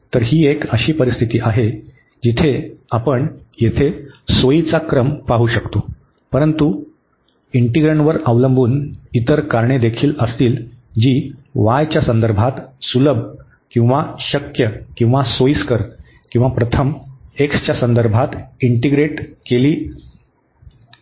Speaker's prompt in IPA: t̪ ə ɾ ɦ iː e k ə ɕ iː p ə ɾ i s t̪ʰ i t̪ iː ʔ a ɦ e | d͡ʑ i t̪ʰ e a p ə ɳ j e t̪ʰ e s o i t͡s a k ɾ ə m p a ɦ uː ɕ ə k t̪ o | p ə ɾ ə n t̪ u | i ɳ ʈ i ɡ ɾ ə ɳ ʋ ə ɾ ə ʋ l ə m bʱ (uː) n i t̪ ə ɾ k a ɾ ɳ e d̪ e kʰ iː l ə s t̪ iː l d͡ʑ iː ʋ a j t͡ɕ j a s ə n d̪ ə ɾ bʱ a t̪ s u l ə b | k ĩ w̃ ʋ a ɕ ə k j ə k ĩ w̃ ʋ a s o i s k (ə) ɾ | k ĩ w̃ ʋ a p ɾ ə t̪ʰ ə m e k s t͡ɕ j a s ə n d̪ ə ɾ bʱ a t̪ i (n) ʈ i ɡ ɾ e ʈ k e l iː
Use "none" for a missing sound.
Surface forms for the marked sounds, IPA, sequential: uː, ə, ɳ

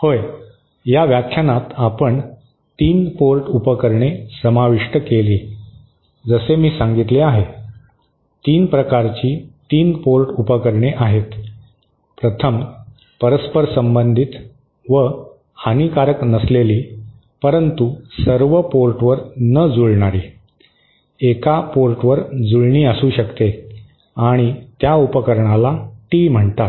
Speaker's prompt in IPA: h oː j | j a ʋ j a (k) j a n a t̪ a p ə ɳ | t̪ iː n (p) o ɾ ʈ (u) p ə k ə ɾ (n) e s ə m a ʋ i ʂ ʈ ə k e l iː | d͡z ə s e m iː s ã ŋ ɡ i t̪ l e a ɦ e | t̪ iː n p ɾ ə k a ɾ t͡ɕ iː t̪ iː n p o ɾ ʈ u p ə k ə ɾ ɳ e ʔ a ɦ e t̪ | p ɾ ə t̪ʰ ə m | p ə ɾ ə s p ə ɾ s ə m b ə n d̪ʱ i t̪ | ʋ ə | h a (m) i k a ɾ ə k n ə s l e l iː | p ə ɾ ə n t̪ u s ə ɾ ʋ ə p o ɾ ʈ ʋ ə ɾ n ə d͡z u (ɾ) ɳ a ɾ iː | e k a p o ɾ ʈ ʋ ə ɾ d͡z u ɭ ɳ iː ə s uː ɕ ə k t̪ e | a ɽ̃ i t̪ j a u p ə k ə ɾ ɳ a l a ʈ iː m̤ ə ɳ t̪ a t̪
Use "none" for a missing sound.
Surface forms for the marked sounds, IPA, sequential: kʰ, p, u, ɳ, n, ɭ

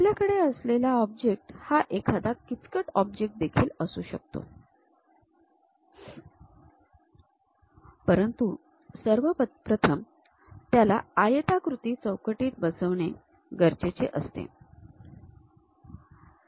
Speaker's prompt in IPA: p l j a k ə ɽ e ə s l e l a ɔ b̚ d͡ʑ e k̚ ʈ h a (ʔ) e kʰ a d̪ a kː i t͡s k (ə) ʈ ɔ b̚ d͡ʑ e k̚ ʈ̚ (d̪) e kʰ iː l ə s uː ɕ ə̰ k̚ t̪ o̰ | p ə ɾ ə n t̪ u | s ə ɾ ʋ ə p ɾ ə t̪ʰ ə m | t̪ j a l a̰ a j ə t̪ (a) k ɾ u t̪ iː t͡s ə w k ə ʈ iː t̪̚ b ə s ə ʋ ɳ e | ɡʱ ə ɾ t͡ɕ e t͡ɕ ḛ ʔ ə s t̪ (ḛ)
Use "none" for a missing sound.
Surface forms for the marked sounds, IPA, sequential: ʔ, ə, d̪, a, ḛ

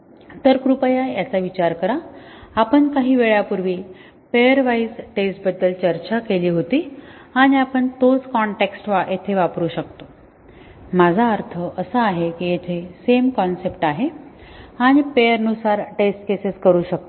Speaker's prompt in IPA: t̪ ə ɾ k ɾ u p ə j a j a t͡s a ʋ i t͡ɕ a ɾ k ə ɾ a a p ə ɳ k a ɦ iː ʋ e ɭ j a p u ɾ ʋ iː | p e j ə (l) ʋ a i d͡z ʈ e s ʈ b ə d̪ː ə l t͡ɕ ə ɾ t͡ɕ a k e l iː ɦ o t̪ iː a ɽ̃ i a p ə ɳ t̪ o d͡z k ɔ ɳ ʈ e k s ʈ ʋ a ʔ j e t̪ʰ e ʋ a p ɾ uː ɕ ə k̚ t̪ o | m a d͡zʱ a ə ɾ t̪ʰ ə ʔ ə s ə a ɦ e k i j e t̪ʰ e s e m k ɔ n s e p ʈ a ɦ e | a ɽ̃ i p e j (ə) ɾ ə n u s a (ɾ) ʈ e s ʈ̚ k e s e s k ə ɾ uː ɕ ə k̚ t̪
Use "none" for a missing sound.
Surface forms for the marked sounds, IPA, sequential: ɾ, ə, ɾ

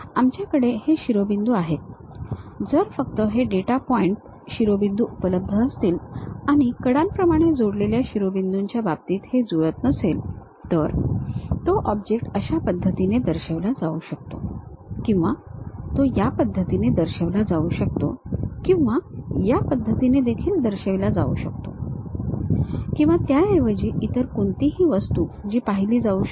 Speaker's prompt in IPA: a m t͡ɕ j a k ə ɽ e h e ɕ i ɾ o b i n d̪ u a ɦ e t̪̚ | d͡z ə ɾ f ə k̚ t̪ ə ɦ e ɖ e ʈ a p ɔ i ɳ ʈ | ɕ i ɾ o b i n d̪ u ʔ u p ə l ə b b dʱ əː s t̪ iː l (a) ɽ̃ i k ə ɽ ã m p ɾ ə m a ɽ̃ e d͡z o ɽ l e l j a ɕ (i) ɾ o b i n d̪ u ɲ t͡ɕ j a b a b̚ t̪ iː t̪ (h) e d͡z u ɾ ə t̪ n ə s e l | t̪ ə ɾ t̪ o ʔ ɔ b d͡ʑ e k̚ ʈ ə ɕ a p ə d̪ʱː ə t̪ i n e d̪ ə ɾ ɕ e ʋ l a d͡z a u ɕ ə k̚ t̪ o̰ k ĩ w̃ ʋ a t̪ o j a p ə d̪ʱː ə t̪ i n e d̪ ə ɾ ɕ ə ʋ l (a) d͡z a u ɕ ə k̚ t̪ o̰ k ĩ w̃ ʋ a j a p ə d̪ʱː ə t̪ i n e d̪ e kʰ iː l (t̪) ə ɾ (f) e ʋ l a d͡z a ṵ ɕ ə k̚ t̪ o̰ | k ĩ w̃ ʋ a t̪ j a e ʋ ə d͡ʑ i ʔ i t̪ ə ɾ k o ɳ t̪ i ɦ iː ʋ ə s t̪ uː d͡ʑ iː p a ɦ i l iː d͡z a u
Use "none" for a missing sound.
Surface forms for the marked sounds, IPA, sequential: a, i, h, a, d̪, ɕ

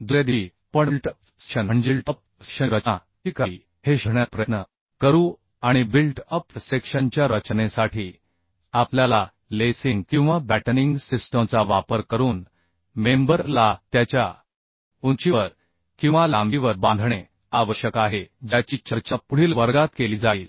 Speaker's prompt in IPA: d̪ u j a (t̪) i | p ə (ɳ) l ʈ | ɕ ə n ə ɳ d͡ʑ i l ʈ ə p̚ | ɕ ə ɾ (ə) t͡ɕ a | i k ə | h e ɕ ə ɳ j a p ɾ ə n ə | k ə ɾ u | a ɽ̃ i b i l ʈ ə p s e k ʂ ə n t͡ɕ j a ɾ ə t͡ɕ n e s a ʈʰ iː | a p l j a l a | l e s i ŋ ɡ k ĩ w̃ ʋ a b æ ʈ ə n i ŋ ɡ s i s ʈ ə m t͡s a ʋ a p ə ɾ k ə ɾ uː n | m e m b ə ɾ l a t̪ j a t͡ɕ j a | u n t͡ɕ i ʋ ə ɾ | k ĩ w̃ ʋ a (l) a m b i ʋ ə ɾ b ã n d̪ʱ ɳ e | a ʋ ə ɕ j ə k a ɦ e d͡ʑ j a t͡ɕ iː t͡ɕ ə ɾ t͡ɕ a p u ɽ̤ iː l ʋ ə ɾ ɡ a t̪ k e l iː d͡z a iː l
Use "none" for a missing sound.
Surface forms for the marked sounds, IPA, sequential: d̪, ɳ, ə, l

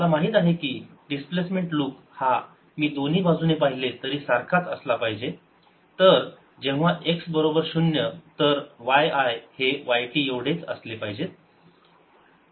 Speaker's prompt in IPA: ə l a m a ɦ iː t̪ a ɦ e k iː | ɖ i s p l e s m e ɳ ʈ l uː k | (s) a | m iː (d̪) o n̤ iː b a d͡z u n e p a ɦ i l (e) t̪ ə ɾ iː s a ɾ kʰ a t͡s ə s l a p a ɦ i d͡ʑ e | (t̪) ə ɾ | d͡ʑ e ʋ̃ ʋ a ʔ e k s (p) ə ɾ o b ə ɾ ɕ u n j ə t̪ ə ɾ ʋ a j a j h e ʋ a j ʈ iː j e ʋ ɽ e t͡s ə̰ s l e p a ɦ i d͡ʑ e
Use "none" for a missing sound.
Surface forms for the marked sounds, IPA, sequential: h, d̪, e, t̪, b

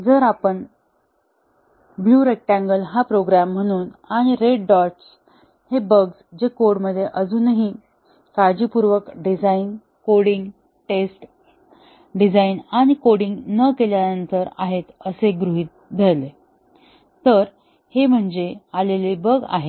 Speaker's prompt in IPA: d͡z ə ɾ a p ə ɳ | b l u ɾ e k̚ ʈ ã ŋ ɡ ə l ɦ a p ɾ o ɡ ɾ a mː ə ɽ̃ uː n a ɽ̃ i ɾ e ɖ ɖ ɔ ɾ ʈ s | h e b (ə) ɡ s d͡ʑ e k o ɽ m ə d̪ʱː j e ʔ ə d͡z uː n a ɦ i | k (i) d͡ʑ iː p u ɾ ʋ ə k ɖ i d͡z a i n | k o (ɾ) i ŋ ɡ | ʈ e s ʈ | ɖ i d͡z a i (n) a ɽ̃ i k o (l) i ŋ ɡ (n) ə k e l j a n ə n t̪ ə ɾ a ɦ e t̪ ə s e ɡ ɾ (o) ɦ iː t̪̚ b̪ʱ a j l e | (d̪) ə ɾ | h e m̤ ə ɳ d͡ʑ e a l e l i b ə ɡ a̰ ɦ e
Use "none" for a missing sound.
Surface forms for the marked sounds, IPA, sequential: ə, a, ɽ, n, ɽ, n, u, t̪

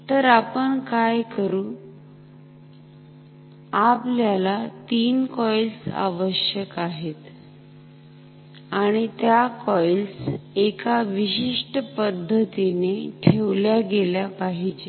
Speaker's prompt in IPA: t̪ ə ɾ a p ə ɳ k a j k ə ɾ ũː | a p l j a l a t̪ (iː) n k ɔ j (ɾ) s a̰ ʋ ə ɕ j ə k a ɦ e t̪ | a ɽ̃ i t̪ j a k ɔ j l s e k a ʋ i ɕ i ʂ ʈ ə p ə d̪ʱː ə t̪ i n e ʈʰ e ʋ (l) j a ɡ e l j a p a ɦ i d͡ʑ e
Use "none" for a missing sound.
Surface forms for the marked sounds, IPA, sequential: iː, l, l

